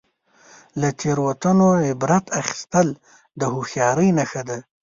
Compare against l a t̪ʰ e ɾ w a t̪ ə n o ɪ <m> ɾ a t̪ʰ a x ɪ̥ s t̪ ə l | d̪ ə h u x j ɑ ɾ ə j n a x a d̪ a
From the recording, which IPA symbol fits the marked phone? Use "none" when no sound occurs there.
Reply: b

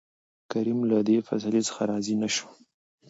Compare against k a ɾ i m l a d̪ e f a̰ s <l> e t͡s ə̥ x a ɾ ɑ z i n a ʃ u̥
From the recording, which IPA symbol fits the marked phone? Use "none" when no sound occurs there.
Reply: l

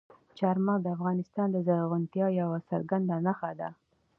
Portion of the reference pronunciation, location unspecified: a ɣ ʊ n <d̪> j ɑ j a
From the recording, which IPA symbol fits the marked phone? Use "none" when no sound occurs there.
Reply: t̪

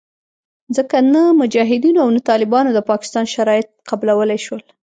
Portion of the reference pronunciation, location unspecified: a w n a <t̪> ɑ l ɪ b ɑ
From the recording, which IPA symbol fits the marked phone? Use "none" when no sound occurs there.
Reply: t̪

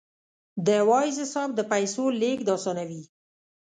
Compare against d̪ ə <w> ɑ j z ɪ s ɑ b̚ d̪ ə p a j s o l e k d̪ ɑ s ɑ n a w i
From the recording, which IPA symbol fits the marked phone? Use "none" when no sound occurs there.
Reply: w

